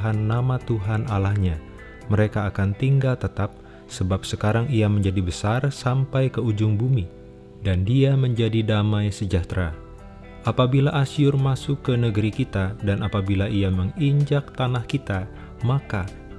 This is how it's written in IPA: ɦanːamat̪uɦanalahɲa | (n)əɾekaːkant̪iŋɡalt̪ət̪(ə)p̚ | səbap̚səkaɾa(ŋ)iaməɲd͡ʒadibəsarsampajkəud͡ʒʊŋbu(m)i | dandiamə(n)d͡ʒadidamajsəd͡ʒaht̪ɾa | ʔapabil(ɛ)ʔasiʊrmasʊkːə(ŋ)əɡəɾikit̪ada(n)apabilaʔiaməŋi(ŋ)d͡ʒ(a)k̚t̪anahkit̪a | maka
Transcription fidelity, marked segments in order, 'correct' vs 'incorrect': incorrect: m, incorrect: a, correct, correct, incorrect: ɲ, incorrect: a, incorrect: n, correct, incorrect: ɲ, correct

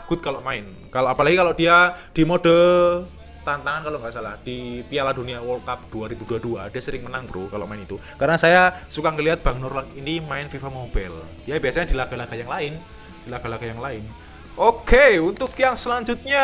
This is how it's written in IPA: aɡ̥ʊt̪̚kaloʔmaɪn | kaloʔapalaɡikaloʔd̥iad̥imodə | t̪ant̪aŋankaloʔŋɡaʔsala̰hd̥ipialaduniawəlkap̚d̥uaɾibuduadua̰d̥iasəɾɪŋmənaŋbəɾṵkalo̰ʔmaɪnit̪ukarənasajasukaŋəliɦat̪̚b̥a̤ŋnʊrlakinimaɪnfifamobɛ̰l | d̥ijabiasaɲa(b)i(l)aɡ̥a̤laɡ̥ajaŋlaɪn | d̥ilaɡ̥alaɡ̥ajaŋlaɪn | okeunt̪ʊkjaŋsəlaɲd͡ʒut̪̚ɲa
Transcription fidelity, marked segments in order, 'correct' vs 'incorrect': incorrect: d, correct

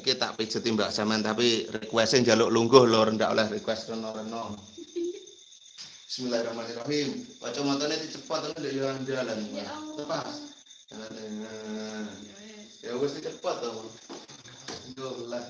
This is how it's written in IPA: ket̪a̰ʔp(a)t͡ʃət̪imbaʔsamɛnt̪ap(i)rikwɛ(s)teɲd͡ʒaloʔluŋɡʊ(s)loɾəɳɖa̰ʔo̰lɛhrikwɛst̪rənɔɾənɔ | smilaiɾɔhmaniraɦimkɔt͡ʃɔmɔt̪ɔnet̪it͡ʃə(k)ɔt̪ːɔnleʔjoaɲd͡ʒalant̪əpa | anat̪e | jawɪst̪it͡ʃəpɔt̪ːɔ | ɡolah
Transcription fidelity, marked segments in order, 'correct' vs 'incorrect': incorrect: i, correct, correct, incorrect: h, incorrect: p

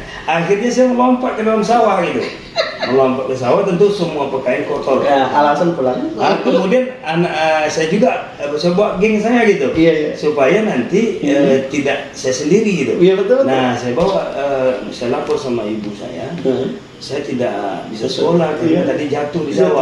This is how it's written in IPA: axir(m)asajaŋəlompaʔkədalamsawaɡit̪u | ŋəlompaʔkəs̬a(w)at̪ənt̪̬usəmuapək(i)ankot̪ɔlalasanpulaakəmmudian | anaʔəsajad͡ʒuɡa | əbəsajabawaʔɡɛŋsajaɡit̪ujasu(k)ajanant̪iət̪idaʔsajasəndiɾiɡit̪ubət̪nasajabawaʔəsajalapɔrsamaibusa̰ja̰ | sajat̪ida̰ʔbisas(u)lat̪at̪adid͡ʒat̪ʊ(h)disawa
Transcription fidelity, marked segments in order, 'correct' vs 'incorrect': incorrect: ɲ, correct, incorrect: a, incorrect: p, incorrect: o, correct

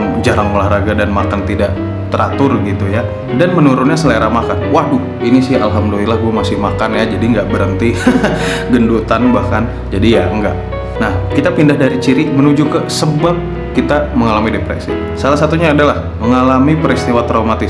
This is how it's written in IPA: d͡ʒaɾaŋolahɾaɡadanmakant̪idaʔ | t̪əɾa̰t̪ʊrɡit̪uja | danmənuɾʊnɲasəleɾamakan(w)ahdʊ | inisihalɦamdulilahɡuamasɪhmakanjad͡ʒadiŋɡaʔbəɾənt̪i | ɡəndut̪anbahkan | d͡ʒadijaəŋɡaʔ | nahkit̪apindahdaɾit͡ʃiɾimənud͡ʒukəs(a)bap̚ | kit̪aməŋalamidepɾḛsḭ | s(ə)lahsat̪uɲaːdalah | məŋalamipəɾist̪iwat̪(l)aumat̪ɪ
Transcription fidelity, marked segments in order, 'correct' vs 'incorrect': correct, incorrect: ə, incorrect: a, incorrect: ɾ

